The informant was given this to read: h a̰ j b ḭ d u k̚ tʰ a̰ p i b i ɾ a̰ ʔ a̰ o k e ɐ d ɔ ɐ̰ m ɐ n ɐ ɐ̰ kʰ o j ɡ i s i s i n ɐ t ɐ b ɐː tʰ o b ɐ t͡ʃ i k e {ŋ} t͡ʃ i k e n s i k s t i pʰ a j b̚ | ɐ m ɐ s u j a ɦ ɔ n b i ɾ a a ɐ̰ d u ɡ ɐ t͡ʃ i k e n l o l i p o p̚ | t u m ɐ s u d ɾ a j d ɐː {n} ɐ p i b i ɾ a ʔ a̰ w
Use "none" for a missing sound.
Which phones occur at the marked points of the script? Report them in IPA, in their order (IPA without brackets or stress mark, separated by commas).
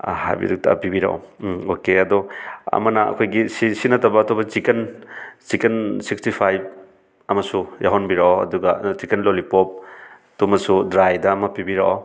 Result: n, m